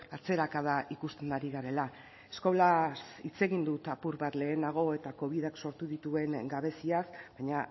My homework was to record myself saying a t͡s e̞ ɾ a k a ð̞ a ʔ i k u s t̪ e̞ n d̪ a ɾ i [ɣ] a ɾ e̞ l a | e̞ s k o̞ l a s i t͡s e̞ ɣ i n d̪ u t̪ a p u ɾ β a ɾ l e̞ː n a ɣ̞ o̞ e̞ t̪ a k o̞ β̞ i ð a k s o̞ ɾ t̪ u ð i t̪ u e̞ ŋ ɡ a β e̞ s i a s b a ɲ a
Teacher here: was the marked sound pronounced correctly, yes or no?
yes